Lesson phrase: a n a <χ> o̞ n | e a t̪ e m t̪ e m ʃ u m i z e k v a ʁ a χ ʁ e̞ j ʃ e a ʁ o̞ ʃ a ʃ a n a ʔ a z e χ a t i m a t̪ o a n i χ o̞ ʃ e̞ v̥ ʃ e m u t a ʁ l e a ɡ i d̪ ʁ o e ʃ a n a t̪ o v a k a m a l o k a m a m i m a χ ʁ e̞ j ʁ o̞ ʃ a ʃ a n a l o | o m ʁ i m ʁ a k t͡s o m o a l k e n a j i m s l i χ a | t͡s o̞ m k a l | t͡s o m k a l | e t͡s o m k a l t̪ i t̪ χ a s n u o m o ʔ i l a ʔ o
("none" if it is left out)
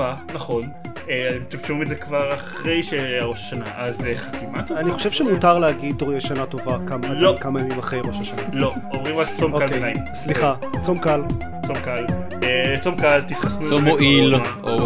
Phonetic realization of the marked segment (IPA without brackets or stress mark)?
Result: χ